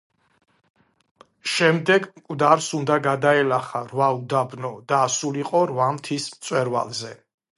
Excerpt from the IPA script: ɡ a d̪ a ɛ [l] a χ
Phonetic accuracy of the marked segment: correct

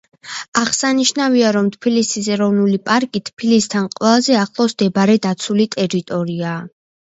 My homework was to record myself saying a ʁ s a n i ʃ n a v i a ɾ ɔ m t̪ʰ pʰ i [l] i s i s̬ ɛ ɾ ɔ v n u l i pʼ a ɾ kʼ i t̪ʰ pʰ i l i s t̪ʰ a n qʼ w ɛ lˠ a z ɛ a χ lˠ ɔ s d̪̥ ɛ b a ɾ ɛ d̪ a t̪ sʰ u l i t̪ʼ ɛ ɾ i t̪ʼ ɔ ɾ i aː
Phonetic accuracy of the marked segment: correct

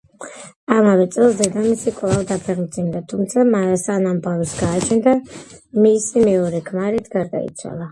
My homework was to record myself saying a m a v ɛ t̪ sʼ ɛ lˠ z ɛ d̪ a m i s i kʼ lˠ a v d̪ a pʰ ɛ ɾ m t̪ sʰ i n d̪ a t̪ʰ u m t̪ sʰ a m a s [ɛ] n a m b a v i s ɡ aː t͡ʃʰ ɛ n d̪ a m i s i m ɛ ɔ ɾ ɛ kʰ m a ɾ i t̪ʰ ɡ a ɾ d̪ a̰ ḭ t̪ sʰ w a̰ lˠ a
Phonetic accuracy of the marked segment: incorrect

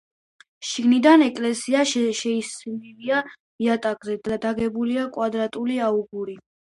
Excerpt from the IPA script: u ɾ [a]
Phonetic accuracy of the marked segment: incorrect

